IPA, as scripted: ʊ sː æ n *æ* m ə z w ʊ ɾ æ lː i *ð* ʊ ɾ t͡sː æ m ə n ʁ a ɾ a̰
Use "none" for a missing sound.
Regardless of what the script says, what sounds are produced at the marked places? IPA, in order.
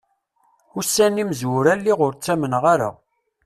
i, ʁ

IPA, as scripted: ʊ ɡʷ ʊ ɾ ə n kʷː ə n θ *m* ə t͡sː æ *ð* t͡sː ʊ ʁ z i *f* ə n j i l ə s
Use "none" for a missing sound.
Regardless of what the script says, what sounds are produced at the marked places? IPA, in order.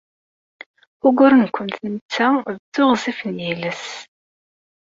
n, ð, f

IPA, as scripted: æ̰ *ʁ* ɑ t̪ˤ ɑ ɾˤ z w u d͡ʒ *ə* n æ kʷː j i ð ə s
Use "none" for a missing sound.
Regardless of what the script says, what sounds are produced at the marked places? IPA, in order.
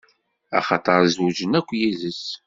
χ, ə

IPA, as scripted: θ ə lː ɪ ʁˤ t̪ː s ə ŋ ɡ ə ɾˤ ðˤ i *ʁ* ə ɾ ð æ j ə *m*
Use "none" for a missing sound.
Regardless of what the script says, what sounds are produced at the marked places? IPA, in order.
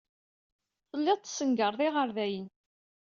ʁ, n

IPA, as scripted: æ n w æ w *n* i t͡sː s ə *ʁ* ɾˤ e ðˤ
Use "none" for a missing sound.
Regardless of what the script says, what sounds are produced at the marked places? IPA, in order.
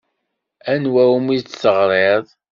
m, ʁ

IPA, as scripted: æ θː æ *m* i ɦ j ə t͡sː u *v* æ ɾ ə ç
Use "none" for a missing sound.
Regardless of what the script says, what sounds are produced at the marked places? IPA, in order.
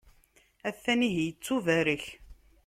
n, v

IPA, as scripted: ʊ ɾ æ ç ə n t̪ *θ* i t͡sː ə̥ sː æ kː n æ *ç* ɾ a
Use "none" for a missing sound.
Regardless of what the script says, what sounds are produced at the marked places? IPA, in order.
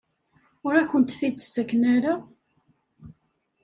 θ, none

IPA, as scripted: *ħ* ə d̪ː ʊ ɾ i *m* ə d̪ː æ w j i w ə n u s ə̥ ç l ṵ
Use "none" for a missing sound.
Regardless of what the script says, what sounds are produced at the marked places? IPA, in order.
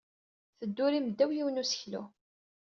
θ, m

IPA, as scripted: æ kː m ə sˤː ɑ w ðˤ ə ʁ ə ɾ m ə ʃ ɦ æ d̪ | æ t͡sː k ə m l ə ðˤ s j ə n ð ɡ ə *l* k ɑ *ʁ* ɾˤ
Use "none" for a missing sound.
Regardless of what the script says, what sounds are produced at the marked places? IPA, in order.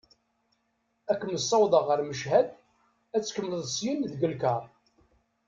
l, none

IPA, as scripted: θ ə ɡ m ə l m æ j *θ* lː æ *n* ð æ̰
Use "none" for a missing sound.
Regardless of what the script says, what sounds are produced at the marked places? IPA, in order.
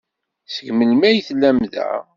θ, m

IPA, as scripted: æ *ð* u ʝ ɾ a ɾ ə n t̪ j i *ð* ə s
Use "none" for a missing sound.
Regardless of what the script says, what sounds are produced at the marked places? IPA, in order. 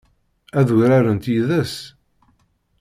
ð, ð

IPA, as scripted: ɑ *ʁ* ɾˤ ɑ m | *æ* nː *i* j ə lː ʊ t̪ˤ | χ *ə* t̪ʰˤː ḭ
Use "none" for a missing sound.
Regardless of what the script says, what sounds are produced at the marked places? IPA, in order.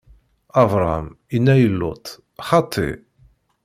v, i, æ, ɑ

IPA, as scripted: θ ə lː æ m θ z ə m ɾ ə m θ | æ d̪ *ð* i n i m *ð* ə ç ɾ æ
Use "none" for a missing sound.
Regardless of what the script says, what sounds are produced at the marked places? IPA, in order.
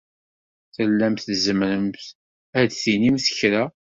θ, θ

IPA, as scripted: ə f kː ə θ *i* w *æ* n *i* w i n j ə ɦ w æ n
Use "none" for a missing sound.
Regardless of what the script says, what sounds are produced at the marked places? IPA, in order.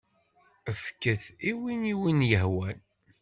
i, i, i

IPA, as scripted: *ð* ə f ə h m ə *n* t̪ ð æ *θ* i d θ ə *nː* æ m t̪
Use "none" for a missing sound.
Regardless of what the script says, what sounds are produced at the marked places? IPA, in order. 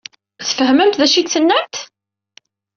θ, m, ʃ, nː

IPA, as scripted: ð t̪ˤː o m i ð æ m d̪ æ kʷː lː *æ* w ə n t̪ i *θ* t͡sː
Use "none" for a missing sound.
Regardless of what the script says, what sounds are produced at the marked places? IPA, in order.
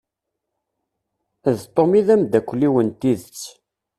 i, ð

